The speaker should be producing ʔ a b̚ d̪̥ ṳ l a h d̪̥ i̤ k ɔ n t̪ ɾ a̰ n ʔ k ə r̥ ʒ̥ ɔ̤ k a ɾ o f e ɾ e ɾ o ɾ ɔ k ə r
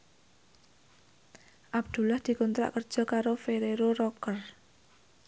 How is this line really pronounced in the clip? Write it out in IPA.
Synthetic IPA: ʔ a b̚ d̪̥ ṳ l a h d̪̥ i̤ k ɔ n t̪ ɾ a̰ ʔ k ə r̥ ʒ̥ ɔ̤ k a ɾ o f e ɾ e ɾ o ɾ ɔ k ə r